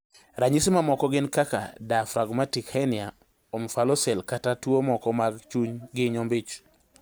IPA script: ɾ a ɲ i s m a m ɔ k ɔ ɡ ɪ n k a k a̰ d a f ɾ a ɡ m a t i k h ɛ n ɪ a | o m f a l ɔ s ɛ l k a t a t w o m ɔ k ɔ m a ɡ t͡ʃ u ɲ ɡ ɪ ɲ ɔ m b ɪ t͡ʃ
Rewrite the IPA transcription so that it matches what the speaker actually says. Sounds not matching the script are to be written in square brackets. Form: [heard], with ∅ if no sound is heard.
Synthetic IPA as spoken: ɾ a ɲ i s m a m ɔ k ɔ ɡ ɪ n k a k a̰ d a f ɾ a ɡ m a t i k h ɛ n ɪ a | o m f a l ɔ s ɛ l k a t a t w o m ɔ k ɔ m a ɡ t͡ʃ u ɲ ɡ ɪ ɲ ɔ m b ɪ t͡ʃ

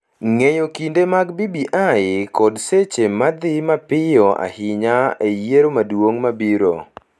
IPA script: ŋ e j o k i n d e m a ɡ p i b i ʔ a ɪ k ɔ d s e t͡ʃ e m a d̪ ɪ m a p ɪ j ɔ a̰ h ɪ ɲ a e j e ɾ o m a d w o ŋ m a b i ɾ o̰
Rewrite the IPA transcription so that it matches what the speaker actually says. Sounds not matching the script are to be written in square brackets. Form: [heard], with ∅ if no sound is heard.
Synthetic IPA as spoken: ŋ e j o k i n d e m a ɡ [b] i b i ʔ a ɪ k ɔ d s e t͡ʃ e m a d̪ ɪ m a p ɪ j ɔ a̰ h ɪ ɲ a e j e ɾ o m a d w o ŋ m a b i ɾ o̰

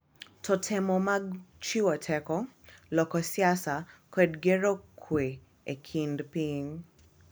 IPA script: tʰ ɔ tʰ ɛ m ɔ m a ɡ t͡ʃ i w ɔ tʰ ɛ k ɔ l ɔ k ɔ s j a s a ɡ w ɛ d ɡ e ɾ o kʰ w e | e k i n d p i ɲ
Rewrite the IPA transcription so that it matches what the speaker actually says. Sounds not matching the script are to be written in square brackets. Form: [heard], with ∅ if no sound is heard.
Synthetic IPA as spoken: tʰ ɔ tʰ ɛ m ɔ m a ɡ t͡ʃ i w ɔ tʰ ɛ k ɔ l ɔ k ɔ s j a s a [k] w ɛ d ɡ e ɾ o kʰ w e | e [kʰ] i n d p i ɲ

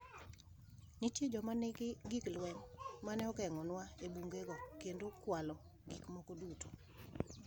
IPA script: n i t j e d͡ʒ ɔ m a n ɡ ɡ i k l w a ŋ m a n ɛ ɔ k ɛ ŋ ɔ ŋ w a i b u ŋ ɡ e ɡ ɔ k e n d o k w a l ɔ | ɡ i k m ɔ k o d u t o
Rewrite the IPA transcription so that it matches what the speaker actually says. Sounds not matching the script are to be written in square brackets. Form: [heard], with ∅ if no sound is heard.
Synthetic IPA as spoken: n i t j e d͡ʒ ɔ m a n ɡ ɡ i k l w [ɛ] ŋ m a n ɛ ɔ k ɛ ŋ ɔ [n] w a [e] b u ŋ ɡ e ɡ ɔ k e n d o k w a l ɔ | ɡ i k m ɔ k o d u t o

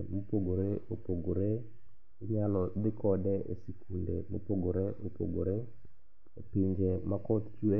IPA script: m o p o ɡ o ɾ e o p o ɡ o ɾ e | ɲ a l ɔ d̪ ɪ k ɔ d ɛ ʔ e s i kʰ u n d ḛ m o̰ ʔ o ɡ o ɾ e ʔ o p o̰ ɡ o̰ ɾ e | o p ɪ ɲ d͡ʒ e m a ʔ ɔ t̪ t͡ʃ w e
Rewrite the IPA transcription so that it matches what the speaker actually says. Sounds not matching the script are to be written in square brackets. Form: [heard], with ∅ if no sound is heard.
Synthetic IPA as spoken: m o p o ɡ o ɾ e o p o ɡ o ɾ e | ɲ a l ɔ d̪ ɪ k ɔ d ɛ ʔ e s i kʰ u n d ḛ m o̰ [p] o ɡ o ɾ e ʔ o p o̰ ɡ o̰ ɾ e | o p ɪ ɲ d͡ʒ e m a [k] ɔ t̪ t͡ʃ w e

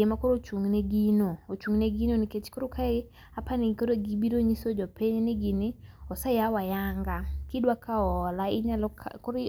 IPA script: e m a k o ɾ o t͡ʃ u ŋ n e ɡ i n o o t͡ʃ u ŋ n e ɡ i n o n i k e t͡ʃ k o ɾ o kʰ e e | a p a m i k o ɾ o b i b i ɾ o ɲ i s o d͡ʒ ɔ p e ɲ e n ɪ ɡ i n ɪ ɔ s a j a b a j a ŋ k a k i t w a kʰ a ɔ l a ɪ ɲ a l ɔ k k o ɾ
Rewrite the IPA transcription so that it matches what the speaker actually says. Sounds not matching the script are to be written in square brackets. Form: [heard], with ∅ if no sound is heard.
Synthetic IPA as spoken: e m a k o ɾ o t͡ʃ u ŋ n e ɡ i n o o t͡ʃ u ŋ n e ɡ i n o n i k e t͡ʃ k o ɾ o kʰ [a] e | a p a [n] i k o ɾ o [ɡ] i b i ɾ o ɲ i s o d͡ʒ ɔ p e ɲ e n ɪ ɡ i n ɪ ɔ s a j a [w] a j a ŋ [ɡ] a k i [d] w a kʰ a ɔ l a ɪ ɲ a l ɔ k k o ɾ

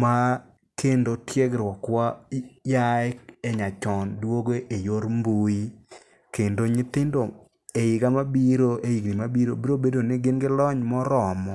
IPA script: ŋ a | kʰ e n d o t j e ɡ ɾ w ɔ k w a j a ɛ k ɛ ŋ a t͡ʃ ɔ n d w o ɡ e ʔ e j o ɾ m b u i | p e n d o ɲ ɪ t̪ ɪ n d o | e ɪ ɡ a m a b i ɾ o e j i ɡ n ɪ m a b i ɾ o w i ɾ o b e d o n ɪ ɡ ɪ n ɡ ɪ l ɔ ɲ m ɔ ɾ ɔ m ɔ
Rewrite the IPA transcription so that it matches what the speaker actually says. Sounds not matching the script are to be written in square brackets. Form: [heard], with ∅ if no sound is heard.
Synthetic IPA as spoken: [m] a | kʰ e n d o t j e ɡ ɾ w ɔ k w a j a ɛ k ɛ [ɲ] a t͡ʃ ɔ n d w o ɡ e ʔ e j o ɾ m b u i | [k] e n d o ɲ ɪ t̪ ɪ n d o | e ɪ ɡ a m a b i ɾ o e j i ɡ n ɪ m a b i ɾ o [b] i ɾ o b e d o n ɪ ɡ ɪ n ɡ ɪ l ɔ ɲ m ɔ ɾ ɔ m ɔ

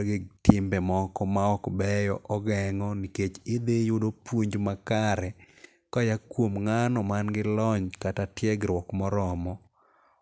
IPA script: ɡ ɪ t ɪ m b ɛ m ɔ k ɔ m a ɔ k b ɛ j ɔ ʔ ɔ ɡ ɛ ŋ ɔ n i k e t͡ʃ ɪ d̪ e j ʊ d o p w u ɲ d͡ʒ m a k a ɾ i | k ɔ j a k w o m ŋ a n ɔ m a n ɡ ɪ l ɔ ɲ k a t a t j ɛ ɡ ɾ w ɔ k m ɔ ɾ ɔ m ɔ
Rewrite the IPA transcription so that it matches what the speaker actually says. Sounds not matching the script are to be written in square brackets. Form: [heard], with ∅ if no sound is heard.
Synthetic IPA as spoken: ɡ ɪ t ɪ m b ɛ m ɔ k ɔ m a ɔ k b ɛ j ɔ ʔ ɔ ɡ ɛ ŋ ɔ n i k e t͡ʃ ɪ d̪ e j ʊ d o p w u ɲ d͡ʒ m a k a ɾ [ɛ] | k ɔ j a k w o m ŋ a n ɔ m a n ɡ ɪ l ɔ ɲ k a t a t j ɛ ɡ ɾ w ɔ k m ɔ ɾ ɔ m ɔ

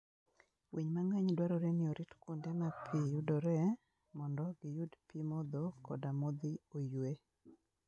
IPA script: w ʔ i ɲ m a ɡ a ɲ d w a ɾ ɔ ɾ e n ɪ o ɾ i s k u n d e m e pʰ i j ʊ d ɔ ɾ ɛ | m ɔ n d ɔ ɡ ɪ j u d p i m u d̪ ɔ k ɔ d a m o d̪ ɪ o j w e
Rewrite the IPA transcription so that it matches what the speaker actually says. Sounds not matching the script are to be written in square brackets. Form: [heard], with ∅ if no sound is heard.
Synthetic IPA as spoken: w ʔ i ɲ m a [ŋ] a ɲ d w a ɾ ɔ ɾ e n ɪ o ɾ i [t] k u n d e m [a] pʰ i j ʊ d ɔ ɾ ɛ | m ɔ n d ɔ ɡ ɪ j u d p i m [ɔ] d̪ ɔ k ɔ d a m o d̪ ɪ o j w e

